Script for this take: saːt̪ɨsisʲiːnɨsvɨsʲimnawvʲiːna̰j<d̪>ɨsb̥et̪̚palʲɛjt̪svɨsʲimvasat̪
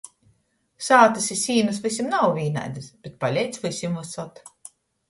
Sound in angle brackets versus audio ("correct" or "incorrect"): correct